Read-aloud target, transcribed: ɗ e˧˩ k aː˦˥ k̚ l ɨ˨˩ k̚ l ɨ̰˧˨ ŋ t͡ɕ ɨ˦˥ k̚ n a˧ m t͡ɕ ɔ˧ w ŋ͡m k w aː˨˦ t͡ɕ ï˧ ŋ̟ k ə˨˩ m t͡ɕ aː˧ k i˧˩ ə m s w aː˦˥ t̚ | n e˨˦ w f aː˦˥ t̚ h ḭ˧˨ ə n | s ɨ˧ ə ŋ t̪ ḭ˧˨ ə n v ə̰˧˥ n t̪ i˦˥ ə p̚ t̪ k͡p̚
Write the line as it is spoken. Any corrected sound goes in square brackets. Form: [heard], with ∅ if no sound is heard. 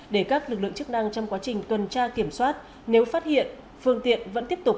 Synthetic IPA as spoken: ɗ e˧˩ k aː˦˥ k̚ l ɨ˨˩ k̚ l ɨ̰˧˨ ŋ t͡ɕ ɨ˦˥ k̚ n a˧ [ŋ] t͡ɕ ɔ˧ w ŋ͡m k w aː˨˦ t͡ɕ [ï˨˩] ŋ̟ k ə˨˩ [n] t͡ɕ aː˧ k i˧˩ ə m s w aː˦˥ t̚ | n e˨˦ w f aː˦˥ t̚ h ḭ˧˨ ə n | [f] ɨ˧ ə ŋ t̪ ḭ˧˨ ə n v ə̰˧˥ n t̪ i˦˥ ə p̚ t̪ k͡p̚